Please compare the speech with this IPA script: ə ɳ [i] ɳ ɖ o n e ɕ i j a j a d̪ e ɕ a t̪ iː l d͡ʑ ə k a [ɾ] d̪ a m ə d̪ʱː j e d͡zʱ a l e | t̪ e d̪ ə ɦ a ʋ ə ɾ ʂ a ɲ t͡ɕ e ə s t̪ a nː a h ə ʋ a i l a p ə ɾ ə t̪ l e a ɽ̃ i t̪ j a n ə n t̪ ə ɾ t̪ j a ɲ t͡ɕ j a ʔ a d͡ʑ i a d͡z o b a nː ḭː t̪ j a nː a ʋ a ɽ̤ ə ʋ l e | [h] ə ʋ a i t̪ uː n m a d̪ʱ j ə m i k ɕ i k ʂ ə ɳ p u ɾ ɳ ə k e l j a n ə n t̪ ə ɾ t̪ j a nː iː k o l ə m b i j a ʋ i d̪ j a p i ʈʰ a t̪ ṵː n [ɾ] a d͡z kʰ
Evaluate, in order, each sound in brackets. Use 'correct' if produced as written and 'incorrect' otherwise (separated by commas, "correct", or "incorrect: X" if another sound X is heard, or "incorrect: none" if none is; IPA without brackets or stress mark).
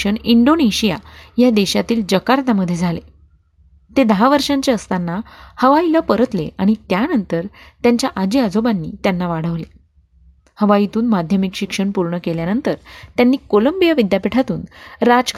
correct, correct, correct, correct